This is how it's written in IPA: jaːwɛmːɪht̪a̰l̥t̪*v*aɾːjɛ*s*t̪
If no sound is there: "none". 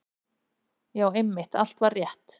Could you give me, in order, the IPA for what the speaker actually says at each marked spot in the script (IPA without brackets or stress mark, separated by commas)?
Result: v, h